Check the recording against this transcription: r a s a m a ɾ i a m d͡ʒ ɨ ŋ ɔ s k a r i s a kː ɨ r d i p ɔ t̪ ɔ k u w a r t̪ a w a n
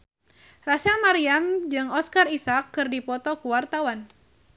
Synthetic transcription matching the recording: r a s a m a ɾ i a m d͡ʒ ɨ ŋ ɔ s k a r i s a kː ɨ r d i p ɔ t̪ ɔ k u w a r t̪ a w a n

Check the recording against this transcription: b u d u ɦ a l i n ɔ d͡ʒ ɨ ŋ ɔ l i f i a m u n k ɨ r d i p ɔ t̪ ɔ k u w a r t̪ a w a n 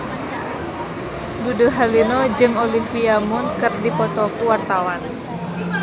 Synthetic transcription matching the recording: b u d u ɦ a l i n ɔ d͡ʒ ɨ ŋ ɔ l i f i a m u n k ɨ r d i p ɔ t̪ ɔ k u w a r t̪ a w a n

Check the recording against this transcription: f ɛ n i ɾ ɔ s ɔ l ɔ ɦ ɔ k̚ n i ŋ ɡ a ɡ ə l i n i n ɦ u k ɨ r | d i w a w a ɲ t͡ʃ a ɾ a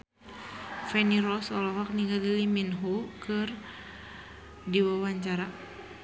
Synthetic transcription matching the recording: f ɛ n i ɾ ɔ s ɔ l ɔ ɦ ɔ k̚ n i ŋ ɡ a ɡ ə l i m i n ɦ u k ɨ r | d i w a w a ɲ t͡ʃ a ɾ a

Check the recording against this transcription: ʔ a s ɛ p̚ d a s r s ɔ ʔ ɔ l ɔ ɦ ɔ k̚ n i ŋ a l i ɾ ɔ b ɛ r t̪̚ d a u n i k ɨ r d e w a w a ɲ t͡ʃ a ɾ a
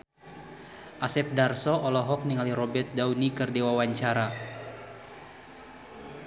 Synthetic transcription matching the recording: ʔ a s ɛ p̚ d a r s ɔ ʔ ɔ l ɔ ɦ ɔ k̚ n i ŋ a l i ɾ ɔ b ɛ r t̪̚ d a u n i k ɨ r d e w a w a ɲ t͡ʃ a ɾ a

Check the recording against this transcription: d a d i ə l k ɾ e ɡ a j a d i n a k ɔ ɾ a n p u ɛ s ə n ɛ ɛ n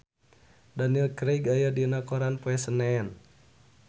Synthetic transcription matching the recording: d a n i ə l k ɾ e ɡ a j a d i n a k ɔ ɾ a n p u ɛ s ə n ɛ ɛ n

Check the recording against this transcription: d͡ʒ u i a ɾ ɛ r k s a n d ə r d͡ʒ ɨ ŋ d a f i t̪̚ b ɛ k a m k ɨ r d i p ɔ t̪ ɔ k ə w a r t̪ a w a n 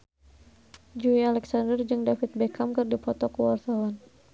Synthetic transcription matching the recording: d͡ʒ u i a l ɛ k s a n d ə r d͡ʒ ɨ ŋ d a f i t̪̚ b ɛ k a m k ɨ r d i p ɔ t̪ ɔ k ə w a r t̪ a w a n

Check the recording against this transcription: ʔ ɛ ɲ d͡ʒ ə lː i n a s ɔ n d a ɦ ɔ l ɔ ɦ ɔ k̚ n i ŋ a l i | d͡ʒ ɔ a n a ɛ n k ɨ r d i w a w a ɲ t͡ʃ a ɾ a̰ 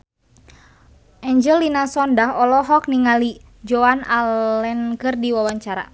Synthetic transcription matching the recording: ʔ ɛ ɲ d͡ʒ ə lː i n a s ɔ n d a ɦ ɔ l ɔ ɦ ɔ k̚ n i ŋ a l i | d͡ʒ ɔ a n a ɛ n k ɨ r d i w a w a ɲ t͡ʃ a ɾ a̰

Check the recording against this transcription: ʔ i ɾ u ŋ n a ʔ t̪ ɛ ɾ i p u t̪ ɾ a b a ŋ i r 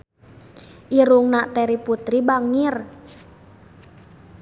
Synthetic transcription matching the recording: ʔ i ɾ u ŋ n a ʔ t̪ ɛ ɾ i p u t̪ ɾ i b a ŋ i r

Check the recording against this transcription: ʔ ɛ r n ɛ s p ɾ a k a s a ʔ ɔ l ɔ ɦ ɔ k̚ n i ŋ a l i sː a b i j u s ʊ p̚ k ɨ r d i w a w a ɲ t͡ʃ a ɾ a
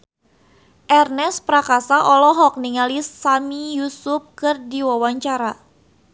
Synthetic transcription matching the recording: ʔ ɛ r n ɛ s p ɾ a k a s a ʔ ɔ l ɔ ɦ ɔ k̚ n i ŋ a l i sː a m i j u s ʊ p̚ k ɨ r d i w a w a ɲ t͡ʃ a ɾ a

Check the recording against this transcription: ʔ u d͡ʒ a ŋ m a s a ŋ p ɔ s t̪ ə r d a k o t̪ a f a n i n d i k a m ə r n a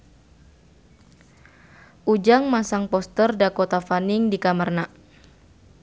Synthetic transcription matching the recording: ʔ u d͡ʒ a ŋ m a s a ŋ p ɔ s t̪ ə r d a k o t̪ a f a n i ŋ d i k a m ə r n a

